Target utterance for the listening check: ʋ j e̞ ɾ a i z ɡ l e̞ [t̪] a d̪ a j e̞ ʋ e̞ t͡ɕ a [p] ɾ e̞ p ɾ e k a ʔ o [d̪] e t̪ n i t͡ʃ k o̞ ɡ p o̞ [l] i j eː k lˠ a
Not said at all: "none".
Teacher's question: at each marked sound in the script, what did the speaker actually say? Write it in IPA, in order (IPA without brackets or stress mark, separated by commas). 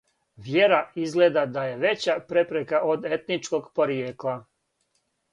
d̪, p, d̪, ɾ